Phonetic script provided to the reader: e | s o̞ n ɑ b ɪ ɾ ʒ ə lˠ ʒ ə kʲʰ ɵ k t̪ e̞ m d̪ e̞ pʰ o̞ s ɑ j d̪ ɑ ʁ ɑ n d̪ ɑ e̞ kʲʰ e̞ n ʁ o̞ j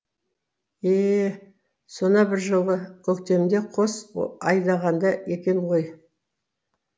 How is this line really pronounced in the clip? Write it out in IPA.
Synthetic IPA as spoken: e | s o̞ n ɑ b ɪ ɾ ʒ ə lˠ ʁ ə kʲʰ ɵ k t̪ e̞ m d̪ e̞ qʰ o̞ s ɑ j d̪ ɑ ʁ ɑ n d̪ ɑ e̞ kʲ e̞ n ʁ o̞ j